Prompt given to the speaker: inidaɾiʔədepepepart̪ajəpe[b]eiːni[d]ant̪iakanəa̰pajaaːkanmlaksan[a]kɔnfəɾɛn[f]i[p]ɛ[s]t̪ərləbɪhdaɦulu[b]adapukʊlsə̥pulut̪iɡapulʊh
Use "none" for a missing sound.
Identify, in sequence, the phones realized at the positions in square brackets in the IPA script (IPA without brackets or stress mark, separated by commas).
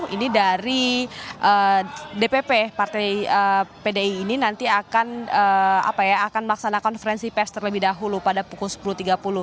d, n, a, s, p, s, p